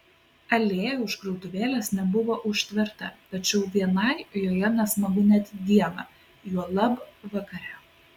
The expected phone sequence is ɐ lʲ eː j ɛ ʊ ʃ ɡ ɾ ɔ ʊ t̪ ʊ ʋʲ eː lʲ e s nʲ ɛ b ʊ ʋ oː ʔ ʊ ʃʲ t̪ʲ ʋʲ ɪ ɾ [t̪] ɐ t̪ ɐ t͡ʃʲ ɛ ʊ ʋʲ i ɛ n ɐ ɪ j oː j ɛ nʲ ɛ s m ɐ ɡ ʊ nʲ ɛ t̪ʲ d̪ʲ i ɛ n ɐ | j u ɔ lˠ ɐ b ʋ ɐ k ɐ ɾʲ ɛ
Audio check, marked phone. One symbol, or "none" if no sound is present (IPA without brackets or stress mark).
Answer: t̪